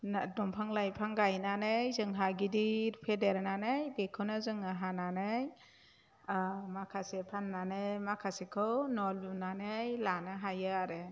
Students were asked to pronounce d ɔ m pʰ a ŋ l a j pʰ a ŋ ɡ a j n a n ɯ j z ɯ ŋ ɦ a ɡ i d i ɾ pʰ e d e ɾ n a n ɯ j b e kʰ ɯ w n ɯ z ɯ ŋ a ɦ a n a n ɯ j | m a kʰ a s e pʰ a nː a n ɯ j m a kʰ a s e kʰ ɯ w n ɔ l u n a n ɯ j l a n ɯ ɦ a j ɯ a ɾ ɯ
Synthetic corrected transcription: d ɔ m pʰ a ŋ l a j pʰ a ŋ ɡ a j n a n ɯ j z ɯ ŋ ɦ a ɡ i d i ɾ pʰ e d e ɾ n a n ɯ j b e kʰ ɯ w n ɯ z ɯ ŋ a ɦ a n a n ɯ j | m a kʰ a s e pʰ a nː a n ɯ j m a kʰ a s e kʰ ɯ w n ɔ l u n a n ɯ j l a n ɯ ɦ a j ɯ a ɾ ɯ